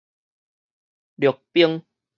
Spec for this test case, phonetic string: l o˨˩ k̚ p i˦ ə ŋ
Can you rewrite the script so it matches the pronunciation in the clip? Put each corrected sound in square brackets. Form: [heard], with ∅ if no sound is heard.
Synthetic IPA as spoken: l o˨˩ k̚ p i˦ ə ŋ